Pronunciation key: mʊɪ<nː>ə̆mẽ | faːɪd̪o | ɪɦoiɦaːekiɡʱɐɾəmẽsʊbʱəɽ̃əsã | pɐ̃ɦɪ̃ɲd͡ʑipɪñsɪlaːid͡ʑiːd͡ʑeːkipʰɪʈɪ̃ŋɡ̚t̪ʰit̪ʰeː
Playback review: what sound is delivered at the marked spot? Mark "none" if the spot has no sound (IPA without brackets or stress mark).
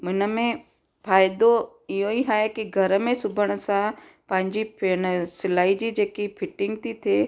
n